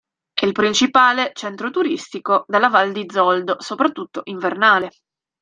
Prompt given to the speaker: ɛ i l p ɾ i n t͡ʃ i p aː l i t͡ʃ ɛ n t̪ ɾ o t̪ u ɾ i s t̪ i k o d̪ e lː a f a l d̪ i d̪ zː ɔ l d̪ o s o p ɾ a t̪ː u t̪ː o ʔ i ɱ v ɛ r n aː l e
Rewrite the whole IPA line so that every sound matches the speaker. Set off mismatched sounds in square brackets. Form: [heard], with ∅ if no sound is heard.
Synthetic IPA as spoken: ɛ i l p ɾ i n t͡ʃ i p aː l [e] t͡ʃ ɛ n t̪ ɾ o t̪ u ɾ i s t̪ i k o d̪ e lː a [v] a l d̪ i d̪ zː ɔ l d̪ o s o p ɾ a t̪ː u t̪ː o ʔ i ɱ v [e] r n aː l e